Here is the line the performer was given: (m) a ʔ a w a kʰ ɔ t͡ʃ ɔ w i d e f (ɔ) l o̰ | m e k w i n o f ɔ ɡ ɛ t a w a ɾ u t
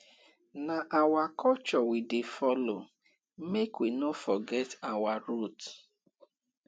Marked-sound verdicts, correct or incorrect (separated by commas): incorrect, correct